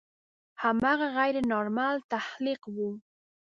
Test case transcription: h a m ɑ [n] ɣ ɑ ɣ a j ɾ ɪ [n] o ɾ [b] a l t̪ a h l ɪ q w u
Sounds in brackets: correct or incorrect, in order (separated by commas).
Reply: incorrect, correct, incorrect